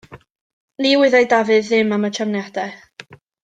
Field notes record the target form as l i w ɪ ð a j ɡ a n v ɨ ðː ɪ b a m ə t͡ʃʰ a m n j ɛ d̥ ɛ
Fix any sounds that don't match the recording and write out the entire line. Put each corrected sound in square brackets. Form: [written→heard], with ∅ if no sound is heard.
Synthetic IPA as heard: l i w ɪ ð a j [ɡ→d] a [n→∅] v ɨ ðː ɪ [b→m] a m ə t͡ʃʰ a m n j [ɛ→a] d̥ ɛ